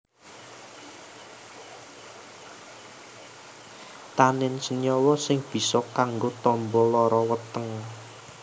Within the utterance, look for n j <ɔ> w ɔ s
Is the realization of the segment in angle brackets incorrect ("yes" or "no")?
no